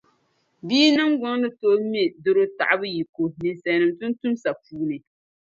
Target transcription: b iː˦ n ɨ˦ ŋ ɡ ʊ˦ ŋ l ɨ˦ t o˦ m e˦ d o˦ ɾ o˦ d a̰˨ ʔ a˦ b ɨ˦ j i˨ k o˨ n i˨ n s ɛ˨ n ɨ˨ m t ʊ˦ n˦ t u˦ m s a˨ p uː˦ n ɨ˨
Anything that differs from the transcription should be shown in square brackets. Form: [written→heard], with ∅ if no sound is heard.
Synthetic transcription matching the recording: b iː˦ n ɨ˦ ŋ ɡ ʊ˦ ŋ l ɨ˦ t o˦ m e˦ d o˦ ɾ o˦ [d→t] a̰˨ ʔ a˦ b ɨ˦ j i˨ k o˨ n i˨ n s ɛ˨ n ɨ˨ m t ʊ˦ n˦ t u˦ m s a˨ p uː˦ n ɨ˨